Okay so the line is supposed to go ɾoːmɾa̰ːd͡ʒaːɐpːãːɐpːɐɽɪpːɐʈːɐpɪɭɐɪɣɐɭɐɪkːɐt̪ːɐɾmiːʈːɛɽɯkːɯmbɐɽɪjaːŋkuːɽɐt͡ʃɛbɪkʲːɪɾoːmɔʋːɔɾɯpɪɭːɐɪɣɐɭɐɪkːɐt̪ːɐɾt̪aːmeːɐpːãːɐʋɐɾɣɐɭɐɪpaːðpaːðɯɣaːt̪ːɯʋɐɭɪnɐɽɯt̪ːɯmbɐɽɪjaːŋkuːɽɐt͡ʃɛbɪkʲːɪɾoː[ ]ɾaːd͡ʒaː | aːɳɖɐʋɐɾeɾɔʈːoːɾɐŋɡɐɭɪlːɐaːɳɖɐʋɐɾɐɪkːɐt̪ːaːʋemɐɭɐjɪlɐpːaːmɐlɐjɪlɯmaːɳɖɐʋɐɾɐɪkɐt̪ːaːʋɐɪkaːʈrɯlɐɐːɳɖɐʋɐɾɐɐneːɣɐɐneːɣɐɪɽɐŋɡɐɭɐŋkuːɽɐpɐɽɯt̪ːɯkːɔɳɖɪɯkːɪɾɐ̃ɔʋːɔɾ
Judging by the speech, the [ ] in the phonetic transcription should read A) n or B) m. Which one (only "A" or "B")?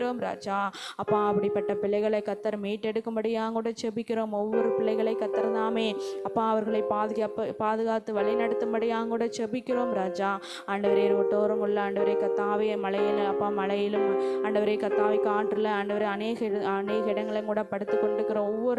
B